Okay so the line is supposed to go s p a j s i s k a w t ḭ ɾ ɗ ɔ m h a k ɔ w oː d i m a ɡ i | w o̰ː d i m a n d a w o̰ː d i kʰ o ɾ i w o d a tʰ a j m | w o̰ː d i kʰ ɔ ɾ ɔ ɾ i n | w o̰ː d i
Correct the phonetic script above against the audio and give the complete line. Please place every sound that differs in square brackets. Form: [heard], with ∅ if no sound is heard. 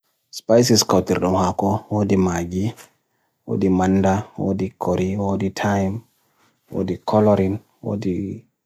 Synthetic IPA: s p a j s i s k a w t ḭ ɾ ɗ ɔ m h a k ɔ w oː d i m a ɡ i | w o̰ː d i m a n d a w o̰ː d i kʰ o ɾ i w o d [i] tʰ a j m | w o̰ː d i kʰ ɔ [l] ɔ ɾ i n | w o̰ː d i